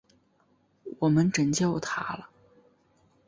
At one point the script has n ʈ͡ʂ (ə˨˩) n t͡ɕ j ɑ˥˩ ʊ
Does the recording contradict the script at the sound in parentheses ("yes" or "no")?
no